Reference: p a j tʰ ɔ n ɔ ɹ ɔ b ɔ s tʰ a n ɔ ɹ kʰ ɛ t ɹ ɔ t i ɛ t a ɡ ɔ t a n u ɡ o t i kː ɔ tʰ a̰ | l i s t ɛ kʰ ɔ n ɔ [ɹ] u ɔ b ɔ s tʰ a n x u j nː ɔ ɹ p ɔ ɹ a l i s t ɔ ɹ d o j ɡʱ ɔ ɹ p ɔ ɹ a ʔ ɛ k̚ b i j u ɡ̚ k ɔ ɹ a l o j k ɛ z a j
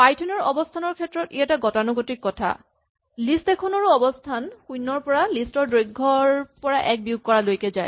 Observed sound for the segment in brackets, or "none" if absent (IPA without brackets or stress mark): ɹ